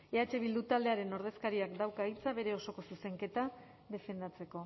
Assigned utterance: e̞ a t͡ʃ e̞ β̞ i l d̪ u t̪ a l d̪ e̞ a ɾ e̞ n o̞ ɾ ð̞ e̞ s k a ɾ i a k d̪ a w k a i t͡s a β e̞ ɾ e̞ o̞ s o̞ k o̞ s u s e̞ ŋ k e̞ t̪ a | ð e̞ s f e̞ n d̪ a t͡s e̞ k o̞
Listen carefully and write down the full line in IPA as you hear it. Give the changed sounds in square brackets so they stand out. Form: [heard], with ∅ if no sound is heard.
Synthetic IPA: e̞ a t͡ʃ e̞ β̞ i l d̪ u t̪ a l d̪ e̞ a ɾ e̞ n o̞ ɾ ð̞ e̞ s k a ɾ i a k d̪ a w k a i t͡s a β e̞ ɾ e̞ o̞ s o̞ k o̞ s u s e̞ ŋ k e̞ t̪ a | ð e̞ [∅] f e̞ n d̪ a t͡s e̞ k o̞